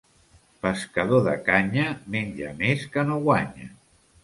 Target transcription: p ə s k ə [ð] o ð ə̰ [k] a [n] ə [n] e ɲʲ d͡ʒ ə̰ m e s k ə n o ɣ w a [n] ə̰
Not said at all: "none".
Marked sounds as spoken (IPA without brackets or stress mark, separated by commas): ð, k, ɲ, m, ɲ